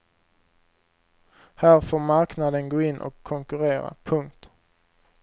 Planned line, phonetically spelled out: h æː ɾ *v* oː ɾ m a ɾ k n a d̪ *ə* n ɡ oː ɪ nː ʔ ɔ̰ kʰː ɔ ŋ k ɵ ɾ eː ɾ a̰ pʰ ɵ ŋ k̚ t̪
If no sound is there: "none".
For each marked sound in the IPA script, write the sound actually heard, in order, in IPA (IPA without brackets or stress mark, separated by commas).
f, ə